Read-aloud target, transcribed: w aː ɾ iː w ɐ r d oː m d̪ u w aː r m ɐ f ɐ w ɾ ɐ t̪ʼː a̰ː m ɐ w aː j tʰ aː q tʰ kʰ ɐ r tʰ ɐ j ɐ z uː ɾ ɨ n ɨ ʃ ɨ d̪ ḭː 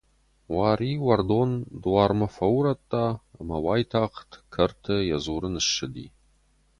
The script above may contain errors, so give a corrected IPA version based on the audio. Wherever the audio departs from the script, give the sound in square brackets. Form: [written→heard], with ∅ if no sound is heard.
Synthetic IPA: w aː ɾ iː w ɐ r d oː [m→n] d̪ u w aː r m ɐ f ɐ w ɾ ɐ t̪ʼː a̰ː m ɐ w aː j tʰ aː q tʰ kʰ ɐ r tʰ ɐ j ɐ z uː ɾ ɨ n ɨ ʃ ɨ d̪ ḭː